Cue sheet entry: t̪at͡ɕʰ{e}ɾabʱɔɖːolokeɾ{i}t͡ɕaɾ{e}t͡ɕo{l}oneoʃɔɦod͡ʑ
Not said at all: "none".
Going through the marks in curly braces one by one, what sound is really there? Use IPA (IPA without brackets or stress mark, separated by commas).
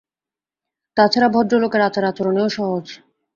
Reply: a, a, a, ɾ